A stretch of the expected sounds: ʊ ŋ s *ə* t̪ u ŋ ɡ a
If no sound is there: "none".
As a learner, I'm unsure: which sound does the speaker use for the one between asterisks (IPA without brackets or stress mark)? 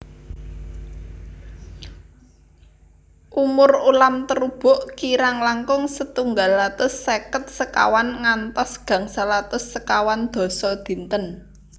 ə